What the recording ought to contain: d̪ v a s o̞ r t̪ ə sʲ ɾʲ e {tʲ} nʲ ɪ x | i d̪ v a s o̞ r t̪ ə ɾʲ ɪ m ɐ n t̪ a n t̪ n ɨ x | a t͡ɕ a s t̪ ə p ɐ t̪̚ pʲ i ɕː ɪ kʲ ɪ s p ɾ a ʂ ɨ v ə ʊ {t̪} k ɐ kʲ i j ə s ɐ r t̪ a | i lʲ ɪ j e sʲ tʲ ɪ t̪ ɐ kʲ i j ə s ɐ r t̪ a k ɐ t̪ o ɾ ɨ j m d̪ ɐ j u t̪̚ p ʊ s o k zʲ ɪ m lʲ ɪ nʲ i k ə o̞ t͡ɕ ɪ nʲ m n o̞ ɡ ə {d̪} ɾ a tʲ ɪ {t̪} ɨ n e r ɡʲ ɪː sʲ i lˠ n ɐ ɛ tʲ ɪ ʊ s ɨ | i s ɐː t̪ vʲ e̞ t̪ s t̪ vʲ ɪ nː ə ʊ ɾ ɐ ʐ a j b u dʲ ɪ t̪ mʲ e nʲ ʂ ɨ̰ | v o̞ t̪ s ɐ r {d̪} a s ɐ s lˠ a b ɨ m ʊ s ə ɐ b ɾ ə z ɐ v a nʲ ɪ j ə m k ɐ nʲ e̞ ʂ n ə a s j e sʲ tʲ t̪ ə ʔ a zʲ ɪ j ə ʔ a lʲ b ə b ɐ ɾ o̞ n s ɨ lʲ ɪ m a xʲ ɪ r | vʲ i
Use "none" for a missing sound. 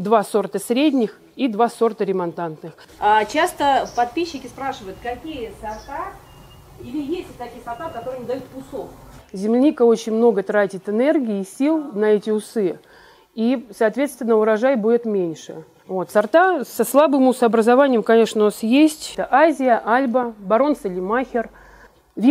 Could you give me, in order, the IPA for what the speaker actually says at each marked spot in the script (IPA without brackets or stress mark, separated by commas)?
dʲ, t̪, t̪, t̪, t̪